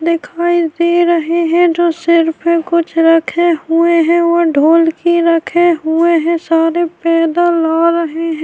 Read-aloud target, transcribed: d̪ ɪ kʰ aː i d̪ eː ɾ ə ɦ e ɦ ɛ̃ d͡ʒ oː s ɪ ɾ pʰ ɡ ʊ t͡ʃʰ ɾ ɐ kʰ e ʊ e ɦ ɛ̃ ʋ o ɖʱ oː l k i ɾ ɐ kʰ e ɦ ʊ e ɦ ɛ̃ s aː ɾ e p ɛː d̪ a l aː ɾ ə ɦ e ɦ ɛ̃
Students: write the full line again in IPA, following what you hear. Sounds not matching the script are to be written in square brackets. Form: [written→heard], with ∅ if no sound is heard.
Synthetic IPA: d̪ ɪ kʰ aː i d̪ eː ɾ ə ɦ e ɦ ɛ̃ d͡ʒ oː s ɪ ɾ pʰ [ɡ→k] ʊ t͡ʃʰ ɾ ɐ kʰ e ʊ e ɦ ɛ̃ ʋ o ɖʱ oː l k i ɾ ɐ kʰ e ɦ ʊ e ɦ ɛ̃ s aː ɾ e p ɛː d̪ a l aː ɾ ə ɦ e ɦ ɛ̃